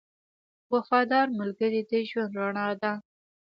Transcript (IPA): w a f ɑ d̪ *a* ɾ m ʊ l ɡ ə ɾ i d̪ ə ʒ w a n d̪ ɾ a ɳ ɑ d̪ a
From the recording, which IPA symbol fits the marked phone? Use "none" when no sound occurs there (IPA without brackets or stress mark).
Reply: ɑ